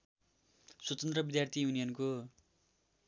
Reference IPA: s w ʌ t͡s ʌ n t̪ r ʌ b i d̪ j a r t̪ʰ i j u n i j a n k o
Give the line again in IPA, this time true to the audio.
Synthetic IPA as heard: s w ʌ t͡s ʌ n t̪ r ʌ b i d̪ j a r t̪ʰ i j u n i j ʌ n k o